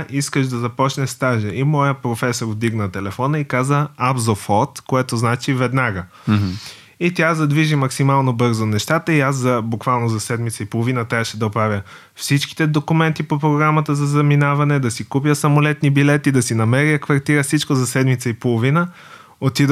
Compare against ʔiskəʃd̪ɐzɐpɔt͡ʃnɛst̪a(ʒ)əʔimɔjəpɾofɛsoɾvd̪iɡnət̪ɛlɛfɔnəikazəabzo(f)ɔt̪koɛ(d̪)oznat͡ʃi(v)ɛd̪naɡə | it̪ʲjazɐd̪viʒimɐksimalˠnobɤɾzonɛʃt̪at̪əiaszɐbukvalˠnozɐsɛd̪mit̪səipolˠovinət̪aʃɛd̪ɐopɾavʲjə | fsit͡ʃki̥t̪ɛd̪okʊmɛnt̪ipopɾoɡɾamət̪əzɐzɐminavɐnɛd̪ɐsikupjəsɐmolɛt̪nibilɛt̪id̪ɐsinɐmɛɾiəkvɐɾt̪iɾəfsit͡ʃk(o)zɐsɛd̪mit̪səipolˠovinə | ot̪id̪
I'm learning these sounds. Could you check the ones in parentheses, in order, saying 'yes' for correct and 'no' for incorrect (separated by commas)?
yes, yes, no, yes, yes